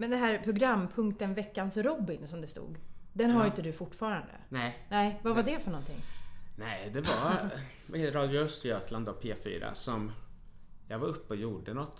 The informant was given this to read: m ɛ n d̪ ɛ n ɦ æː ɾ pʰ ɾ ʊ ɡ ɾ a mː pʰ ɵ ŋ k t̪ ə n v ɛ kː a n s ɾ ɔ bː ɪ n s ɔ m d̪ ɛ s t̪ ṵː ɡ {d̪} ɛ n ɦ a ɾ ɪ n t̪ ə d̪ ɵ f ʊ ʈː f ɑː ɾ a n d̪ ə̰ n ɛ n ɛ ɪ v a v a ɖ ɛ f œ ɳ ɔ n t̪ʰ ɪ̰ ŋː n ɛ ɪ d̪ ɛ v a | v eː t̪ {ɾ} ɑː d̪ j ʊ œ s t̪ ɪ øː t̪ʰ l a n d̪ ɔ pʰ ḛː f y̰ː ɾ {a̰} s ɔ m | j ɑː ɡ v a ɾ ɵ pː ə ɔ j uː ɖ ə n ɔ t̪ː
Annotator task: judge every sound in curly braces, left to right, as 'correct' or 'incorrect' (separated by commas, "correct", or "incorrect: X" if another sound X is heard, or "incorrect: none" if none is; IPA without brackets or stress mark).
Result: correct, correct, correct